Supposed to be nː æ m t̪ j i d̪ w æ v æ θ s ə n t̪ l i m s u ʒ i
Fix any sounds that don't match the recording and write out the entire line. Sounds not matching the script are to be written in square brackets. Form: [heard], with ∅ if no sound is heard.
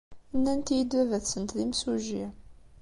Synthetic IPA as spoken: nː æ [n] t̪ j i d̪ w æ v æ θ s ə n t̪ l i m s u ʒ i